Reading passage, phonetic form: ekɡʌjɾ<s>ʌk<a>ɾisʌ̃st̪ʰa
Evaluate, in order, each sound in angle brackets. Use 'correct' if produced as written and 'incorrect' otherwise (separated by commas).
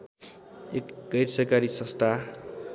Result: correct, correct